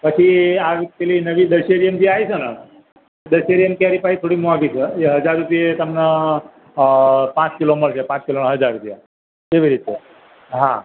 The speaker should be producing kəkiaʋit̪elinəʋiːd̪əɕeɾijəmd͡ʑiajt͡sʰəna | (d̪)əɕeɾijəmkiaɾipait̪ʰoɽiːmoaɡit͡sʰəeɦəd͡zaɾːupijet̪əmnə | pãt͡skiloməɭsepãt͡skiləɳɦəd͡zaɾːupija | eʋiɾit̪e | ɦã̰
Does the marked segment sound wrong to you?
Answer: no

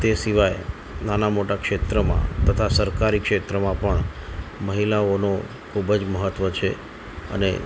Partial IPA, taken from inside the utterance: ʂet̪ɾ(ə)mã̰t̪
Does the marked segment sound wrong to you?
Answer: no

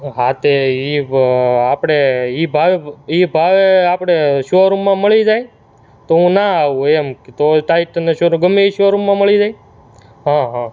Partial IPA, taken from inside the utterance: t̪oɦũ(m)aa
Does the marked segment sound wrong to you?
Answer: yes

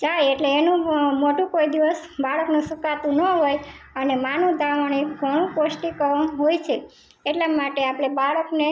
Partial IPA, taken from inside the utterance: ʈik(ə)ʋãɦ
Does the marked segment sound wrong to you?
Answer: no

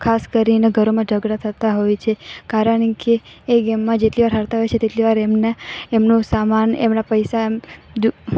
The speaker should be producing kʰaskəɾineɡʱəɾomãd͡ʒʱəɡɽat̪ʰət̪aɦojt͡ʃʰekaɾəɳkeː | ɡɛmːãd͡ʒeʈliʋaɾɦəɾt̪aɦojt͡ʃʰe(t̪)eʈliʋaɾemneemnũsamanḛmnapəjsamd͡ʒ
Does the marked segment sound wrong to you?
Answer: no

